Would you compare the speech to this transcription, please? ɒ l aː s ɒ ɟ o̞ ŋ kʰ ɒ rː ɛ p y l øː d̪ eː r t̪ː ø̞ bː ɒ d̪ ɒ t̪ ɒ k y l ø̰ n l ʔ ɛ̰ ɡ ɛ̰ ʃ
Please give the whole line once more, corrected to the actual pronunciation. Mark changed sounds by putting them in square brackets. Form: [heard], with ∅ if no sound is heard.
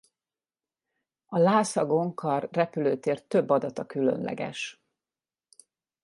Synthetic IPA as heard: ɒ l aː s ɒ [ɡ] o̞ ŋ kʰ ɒ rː ɛ p y l øː [t̪] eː r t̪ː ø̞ bː ɒ d̪ ɒ t̪ ɒ k y l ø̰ n l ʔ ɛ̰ ɡ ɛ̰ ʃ